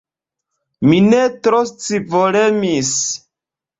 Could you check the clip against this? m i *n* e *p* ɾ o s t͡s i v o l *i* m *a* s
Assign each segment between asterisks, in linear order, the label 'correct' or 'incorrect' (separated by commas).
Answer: correct, incorrect, incorrect, incorrect